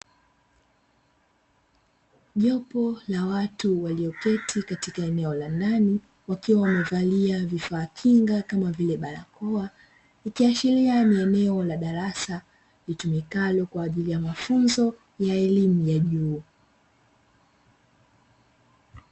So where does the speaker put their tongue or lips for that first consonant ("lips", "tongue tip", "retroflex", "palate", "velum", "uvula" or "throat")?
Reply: palate